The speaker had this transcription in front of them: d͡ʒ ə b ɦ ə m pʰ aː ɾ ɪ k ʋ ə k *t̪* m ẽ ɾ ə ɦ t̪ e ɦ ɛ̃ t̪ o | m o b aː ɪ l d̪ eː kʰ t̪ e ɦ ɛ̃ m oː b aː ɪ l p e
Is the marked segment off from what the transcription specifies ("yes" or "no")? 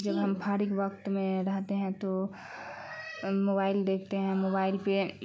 no